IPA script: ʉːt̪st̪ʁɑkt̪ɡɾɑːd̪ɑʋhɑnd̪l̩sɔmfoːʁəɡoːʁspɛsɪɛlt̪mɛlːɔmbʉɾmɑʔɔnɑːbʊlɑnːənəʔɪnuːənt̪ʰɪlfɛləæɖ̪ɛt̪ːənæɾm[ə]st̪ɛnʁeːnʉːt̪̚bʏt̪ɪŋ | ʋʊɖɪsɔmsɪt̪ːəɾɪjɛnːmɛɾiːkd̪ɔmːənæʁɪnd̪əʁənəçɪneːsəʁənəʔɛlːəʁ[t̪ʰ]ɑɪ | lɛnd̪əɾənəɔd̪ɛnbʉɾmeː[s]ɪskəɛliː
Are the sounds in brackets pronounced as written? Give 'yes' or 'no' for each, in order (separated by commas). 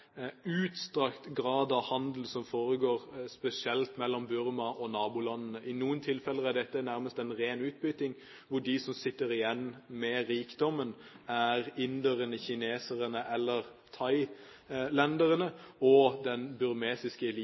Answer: yes, yes, yes